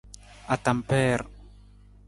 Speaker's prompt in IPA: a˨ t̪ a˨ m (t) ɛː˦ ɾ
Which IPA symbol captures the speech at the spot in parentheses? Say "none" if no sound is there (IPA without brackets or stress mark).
p